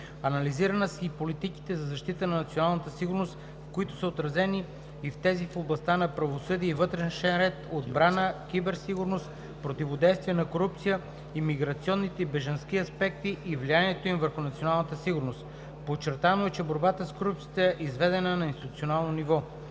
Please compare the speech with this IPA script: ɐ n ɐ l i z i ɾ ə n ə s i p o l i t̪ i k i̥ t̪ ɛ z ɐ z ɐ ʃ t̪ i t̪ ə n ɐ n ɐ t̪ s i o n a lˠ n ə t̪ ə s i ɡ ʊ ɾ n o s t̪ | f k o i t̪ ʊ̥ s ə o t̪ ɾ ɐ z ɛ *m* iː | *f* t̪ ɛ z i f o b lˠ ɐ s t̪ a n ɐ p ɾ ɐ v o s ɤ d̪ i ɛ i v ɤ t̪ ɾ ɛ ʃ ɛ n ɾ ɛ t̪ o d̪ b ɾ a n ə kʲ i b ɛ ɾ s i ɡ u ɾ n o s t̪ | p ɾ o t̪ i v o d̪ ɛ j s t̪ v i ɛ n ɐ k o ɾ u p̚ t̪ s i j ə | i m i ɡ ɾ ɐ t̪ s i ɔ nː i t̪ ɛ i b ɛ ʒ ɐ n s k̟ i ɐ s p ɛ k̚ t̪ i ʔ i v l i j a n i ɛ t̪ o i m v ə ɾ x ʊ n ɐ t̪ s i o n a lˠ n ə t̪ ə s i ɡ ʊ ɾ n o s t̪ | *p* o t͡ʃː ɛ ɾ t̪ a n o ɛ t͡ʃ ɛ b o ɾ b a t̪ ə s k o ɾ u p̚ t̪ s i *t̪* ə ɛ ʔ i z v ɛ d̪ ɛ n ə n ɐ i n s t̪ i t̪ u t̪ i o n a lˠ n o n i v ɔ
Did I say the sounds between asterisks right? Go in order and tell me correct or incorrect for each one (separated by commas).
incorrect, correct, correct, correct